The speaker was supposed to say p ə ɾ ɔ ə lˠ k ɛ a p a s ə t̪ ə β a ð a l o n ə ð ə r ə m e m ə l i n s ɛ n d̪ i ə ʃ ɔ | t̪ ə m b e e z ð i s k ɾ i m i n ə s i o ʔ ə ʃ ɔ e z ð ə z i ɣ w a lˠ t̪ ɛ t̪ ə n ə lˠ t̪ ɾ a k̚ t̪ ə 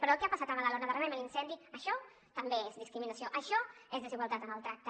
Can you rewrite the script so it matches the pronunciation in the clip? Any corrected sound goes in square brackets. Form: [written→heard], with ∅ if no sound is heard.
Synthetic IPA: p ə ɾ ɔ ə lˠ k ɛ a p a s [ə→a] t̪ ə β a ð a l o n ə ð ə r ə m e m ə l i n s ɛ n d̪ i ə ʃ ɔ | t̪ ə m b e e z ð i s k ɾ i m i n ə s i o ʔ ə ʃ ɔ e z ð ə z i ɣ w a lˠ t̪ [ɛ→a] t̪ ə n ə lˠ t̪ ɾ a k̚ t̪ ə

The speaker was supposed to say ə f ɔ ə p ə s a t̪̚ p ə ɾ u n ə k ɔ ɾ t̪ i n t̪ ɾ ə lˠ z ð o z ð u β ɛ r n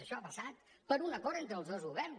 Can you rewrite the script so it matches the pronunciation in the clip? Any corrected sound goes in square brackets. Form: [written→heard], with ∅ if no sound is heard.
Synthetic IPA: ə [f→ʃ] ɔ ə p ə s a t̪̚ p ə ɾ u n ə k ɔ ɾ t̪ [i→e] n t̪ ɾ ə lˠ z ð o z [ð→ɣ] u β ɛ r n

